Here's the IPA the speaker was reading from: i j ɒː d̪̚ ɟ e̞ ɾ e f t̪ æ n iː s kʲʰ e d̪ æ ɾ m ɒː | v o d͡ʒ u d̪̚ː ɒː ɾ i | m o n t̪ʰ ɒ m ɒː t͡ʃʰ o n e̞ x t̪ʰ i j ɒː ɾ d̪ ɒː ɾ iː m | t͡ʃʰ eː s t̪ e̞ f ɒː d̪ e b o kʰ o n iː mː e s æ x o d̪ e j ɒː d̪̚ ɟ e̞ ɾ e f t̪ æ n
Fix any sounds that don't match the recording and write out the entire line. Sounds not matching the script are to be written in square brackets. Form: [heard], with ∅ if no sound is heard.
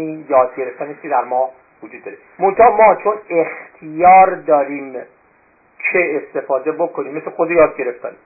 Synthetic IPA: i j ɒː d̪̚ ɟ e̞ ɾ e f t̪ æ n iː s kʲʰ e d̪ æ ɾ m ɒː | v o d͡ʒ u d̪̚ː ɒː ɾ [e] | m o n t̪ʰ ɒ m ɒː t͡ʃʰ o n e̞ x t̪ʰ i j ɒː ɾ d̪ ɒː ɾ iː m | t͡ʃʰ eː s t̪ e̞ f ɒː d̪ e b o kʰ o n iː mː e s [e] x o d̪ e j ɒː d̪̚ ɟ e̞ ɾ e f t̪ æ n